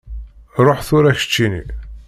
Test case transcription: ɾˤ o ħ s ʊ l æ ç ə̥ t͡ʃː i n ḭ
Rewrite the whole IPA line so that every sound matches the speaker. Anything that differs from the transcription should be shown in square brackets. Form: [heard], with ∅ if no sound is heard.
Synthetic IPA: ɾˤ o ħ [θ] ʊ [ɾ] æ ç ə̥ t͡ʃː i n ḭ